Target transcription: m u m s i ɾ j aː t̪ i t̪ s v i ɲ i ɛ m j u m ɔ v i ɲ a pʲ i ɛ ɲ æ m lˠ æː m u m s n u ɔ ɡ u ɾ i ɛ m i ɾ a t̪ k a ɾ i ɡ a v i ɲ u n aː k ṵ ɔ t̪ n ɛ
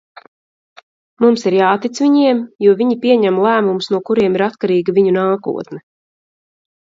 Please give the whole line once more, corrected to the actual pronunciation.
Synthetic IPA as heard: m u m s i ɾ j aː t̪ i t̪ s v i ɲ i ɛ m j u ɔ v i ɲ i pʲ i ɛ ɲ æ m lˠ æː m u m s n u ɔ k u ɾ i ɛ m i ɾ a t̪ k a ɾ iː ɡ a v i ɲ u n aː k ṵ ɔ t̪ n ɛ